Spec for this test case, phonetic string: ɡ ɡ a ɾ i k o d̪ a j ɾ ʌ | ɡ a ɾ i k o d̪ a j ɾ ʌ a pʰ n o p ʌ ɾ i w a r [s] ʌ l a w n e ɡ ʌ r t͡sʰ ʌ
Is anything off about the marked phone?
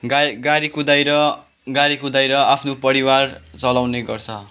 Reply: yes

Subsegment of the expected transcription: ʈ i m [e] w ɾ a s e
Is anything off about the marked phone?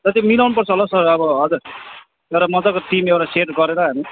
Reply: no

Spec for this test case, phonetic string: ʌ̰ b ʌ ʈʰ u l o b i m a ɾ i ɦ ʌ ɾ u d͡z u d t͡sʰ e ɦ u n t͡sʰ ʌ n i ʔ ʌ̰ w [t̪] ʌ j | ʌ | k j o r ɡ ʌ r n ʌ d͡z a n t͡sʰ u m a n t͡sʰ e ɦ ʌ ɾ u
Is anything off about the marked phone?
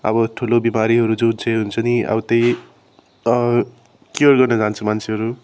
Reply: no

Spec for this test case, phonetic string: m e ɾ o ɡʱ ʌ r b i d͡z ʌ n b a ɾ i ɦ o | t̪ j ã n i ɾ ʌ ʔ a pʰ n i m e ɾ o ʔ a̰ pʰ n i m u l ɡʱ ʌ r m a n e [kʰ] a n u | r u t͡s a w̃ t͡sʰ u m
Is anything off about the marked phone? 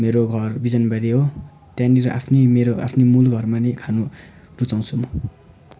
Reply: no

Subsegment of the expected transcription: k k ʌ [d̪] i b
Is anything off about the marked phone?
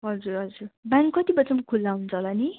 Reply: yes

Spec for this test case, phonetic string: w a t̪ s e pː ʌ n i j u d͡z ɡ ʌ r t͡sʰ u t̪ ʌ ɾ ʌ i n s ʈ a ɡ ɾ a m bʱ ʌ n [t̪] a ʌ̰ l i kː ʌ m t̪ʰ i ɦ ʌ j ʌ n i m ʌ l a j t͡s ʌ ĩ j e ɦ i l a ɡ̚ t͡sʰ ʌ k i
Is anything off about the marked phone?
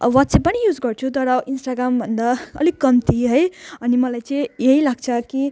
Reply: yes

